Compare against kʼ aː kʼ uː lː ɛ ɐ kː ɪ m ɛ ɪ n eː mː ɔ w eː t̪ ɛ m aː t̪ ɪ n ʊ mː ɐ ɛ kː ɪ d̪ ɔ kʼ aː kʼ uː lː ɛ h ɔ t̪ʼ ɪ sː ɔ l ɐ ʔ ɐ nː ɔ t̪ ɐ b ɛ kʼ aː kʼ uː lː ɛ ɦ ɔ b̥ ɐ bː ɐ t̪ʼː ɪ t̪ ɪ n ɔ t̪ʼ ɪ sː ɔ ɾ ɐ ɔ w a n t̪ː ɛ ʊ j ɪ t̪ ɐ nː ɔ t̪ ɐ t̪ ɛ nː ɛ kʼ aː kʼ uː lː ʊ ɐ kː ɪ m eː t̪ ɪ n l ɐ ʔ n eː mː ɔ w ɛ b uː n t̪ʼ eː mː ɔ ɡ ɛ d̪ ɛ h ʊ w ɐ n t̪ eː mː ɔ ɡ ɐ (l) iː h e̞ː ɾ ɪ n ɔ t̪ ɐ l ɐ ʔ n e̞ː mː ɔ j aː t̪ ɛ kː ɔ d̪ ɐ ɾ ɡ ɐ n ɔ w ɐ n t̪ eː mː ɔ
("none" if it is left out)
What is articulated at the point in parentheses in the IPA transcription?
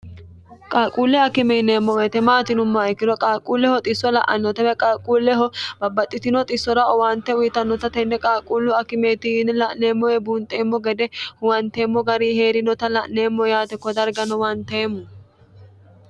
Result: ɾ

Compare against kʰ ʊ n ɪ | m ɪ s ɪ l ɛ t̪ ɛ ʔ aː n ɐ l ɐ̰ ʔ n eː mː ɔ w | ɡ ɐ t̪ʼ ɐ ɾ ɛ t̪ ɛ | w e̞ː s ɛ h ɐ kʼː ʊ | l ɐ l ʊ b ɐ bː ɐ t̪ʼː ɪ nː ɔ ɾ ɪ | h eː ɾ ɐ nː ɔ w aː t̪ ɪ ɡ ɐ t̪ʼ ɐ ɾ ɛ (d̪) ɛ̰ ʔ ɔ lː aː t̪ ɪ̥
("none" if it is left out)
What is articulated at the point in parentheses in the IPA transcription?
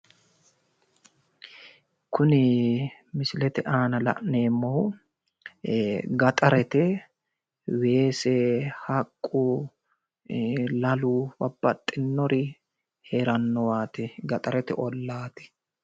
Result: t̪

